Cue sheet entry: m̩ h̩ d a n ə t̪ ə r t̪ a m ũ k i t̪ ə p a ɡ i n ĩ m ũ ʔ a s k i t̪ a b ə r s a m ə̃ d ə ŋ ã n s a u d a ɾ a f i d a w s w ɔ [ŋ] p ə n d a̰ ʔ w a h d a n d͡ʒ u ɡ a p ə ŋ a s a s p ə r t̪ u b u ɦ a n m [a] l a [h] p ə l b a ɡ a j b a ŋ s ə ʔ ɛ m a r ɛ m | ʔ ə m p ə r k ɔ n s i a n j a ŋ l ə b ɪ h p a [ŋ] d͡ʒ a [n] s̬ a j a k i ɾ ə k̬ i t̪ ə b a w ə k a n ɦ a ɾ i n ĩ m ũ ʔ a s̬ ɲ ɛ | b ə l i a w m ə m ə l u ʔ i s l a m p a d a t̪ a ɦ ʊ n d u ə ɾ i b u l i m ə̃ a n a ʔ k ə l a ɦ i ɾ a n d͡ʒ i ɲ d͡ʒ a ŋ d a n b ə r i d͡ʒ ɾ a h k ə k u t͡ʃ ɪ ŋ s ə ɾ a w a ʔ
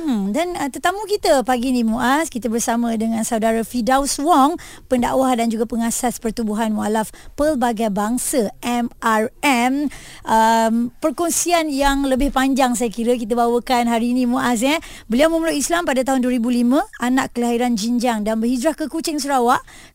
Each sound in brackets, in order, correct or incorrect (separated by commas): correct, correct, incorrect, incorrect, incorrect